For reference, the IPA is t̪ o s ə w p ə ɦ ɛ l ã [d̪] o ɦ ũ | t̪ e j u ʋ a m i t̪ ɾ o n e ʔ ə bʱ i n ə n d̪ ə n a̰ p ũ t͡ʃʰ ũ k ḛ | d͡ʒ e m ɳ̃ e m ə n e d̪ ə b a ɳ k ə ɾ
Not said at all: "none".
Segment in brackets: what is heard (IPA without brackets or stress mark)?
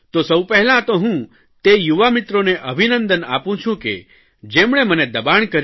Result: t̪